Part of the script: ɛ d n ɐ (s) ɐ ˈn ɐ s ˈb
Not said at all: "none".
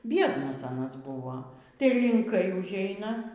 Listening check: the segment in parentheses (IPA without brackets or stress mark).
s